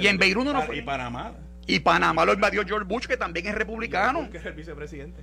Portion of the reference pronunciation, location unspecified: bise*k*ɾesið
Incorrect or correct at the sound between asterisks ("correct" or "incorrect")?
incorrect